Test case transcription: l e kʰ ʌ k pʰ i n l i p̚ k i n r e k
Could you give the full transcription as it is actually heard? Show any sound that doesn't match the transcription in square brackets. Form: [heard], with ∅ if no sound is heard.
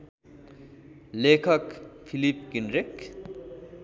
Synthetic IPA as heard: l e kʰ ʌ k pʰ i [∅] l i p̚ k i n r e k